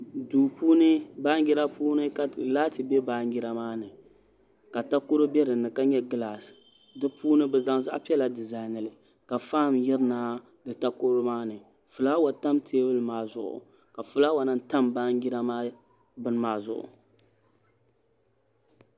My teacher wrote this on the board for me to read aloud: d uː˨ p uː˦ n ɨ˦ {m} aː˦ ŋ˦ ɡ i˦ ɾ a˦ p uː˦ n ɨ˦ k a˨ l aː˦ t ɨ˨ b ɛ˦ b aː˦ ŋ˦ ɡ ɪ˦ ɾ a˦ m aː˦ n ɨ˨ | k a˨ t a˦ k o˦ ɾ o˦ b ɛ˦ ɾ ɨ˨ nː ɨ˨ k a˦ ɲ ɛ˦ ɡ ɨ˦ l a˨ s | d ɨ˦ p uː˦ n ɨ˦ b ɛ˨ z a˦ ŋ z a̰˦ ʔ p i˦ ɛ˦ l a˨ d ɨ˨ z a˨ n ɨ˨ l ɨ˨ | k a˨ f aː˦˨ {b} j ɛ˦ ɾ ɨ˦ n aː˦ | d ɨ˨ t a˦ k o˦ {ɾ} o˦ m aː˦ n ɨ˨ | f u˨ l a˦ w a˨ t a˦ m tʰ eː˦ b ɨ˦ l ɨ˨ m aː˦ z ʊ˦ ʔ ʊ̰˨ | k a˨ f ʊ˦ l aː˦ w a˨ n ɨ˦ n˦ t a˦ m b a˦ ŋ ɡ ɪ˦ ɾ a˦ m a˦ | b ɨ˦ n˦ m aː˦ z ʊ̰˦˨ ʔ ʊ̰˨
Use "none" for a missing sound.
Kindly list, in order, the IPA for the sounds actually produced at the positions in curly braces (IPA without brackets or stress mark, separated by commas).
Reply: b, m, ɾ